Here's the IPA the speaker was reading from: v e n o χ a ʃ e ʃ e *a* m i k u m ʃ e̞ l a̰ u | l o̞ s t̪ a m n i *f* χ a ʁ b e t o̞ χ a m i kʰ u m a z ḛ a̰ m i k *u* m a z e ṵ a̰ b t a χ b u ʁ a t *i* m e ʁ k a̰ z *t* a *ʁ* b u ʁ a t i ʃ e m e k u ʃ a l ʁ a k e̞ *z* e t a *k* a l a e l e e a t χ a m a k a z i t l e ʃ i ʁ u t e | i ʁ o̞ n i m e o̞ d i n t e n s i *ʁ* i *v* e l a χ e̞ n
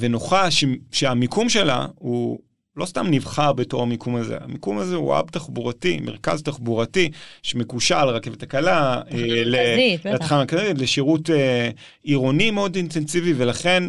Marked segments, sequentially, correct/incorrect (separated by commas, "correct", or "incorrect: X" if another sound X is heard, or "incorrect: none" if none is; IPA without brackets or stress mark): correct, incorrect: v, correct, correct, correct, incorrect: χ, incorrect: v, correct, incorrect: v, correct